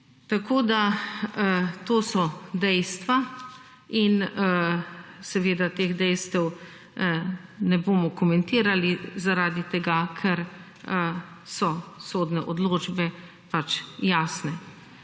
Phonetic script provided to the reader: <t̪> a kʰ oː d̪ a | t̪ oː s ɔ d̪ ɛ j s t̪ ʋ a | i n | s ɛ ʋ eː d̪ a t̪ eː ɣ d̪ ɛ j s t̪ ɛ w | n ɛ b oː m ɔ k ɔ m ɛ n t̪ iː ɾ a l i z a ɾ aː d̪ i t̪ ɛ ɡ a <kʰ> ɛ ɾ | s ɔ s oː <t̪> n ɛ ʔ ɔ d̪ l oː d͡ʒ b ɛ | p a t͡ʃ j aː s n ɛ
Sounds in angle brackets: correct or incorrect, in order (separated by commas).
correct, correct, incorrect